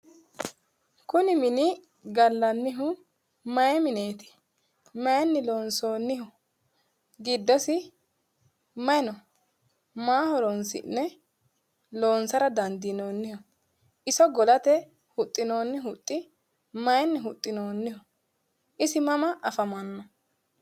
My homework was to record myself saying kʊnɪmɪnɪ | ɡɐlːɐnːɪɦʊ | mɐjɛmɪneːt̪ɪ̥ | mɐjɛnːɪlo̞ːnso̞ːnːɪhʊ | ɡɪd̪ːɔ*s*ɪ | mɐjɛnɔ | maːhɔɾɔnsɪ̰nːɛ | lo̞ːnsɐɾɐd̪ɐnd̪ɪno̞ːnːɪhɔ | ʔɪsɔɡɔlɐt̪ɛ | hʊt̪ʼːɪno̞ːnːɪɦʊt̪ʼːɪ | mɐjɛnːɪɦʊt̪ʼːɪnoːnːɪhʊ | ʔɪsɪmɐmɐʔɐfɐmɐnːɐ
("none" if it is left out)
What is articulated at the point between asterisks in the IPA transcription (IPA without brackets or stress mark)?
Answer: s